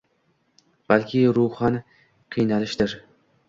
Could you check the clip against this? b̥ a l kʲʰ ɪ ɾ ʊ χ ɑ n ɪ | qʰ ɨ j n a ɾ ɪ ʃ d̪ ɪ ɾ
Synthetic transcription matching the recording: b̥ a l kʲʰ ɪ ɾ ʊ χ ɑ n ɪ | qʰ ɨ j n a l ɪ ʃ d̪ ɪ ɾ